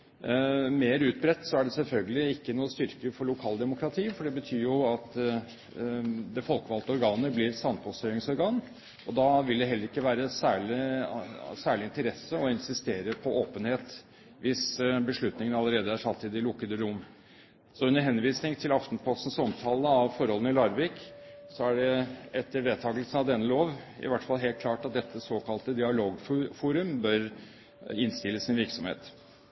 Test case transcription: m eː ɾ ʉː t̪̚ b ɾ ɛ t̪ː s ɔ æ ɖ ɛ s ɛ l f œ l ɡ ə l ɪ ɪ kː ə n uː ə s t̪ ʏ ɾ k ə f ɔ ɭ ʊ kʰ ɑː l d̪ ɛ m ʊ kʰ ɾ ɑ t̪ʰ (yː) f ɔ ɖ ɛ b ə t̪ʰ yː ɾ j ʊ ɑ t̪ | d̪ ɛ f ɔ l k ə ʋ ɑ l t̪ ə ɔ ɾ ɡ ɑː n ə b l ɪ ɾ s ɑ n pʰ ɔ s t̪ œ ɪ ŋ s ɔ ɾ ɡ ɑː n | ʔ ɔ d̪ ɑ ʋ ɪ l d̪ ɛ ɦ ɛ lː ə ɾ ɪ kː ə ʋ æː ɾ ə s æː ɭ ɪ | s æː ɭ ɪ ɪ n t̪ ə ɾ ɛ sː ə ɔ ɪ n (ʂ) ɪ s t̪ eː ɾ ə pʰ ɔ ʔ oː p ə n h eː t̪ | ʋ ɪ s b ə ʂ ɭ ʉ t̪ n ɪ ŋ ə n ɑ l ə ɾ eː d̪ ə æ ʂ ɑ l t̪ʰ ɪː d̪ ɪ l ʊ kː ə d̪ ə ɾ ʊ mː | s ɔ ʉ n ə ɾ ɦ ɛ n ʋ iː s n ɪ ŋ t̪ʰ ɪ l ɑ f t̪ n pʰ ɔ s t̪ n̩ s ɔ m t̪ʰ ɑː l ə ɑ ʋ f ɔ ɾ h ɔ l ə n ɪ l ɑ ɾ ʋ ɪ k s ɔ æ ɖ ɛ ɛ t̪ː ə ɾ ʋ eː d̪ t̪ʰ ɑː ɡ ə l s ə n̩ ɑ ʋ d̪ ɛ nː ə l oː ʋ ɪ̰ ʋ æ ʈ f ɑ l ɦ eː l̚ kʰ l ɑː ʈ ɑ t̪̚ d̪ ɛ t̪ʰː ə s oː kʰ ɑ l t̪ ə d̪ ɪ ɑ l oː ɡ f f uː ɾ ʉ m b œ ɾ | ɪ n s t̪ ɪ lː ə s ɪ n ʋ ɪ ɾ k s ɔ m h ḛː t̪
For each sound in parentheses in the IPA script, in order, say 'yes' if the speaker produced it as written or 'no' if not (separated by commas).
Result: no, no